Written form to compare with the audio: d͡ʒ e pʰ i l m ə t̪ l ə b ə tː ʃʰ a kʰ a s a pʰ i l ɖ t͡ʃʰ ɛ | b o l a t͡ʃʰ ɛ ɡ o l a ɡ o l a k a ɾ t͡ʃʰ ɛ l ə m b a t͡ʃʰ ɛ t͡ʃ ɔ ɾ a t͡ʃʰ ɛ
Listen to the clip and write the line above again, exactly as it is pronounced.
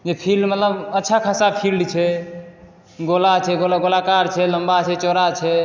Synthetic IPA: d͡ʒ e pʰ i l m ə t̪ l ə b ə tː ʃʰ a kʰ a s a pʰ i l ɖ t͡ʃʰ ɛ | ɡ o l a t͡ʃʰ ɛ ɡ o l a ɡ o l a k a ɾ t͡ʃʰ ɛ l ə m b a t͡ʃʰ ɛ t͡ʃ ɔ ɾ a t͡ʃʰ ɛ